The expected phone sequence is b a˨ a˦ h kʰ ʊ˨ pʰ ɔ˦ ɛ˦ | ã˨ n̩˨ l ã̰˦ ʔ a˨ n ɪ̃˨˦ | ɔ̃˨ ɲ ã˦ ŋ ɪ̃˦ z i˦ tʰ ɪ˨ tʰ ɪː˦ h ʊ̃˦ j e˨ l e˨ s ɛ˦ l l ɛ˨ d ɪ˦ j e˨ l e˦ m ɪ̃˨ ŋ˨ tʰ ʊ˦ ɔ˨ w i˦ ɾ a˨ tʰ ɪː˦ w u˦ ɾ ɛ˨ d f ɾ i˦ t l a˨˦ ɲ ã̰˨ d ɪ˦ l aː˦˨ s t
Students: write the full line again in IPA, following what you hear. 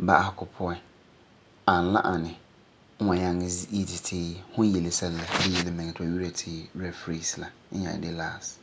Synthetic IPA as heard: b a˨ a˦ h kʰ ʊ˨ pʰ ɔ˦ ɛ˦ | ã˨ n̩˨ l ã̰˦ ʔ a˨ n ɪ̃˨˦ | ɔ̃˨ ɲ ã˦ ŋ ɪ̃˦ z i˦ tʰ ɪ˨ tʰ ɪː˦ h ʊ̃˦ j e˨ l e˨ s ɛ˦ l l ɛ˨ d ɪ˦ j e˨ l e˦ m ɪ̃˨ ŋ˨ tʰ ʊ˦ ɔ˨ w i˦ ɾ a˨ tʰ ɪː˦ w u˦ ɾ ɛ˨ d f ɾ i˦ s l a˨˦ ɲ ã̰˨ d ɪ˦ l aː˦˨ s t